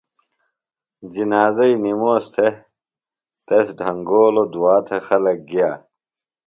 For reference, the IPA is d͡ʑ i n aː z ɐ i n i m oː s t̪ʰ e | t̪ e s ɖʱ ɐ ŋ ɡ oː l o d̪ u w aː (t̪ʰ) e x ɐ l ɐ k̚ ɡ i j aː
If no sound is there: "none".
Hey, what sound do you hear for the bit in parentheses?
t̪ʰ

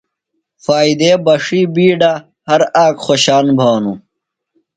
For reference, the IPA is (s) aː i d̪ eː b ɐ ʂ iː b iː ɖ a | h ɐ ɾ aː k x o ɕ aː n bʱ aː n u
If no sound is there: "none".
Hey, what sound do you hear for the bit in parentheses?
f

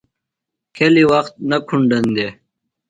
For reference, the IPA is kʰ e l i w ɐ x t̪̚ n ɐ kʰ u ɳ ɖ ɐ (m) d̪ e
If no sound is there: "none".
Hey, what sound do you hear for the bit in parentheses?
n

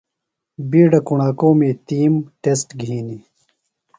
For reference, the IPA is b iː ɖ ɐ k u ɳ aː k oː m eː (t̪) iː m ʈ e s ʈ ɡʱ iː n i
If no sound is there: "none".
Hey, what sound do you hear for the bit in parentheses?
t̪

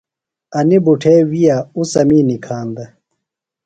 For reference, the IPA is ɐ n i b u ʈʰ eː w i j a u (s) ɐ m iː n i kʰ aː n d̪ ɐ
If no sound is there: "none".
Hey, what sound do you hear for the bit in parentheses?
s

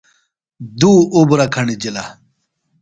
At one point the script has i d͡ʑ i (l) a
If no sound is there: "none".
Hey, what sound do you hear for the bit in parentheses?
l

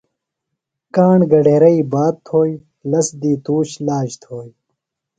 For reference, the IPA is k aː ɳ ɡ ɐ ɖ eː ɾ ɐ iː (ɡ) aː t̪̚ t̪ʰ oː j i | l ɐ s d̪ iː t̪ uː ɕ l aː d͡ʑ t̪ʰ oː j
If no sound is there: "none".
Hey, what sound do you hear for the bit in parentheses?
b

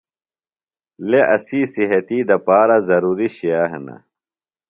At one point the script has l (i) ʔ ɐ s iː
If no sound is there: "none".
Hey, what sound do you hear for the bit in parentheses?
e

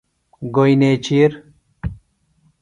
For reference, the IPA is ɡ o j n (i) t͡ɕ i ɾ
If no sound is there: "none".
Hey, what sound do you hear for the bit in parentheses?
e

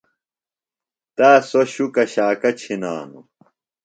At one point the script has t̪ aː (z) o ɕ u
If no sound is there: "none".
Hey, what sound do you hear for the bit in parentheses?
s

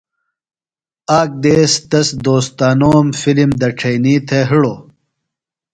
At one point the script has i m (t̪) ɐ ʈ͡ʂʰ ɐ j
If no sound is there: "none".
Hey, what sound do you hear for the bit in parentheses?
d̪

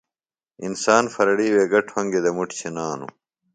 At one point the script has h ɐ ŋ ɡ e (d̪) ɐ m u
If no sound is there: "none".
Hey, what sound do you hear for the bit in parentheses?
d̪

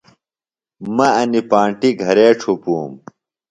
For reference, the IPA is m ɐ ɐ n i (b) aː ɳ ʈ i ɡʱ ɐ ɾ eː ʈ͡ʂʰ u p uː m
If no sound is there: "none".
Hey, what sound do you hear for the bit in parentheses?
p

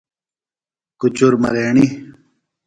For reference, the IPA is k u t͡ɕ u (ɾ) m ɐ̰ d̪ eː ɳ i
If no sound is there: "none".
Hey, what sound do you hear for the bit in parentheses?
ɾ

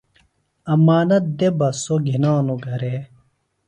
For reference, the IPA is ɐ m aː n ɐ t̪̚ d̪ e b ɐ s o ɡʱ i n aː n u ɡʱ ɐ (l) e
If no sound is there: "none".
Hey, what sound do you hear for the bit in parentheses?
ɾ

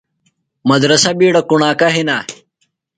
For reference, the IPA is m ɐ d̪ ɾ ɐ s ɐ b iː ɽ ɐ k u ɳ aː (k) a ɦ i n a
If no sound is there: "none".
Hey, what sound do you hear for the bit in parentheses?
k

